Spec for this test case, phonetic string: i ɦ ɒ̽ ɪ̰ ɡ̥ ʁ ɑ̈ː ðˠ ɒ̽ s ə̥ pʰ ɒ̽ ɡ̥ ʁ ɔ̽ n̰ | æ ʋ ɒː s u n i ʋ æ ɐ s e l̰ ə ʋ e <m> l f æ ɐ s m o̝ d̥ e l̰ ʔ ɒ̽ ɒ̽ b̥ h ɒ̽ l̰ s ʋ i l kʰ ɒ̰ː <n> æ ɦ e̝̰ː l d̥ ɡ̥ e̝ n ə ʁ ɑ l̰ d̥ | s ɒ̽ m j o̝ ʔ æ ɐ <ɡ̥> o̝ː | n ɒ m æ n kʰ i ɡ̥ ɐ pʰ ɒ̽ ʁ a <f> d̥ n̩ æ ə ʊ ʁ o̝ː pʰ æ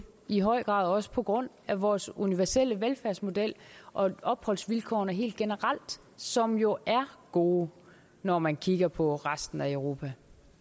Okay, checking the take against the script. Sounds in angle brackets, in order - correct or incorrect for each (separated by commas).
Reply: incorrect, correct, correct, incorrect